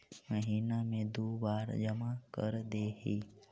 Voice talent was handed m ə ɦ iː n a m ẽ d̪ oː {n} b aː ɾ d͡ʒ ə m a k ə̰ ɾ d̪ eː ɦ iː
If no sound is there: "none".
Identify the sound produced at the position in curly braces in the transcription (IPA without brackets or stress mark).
none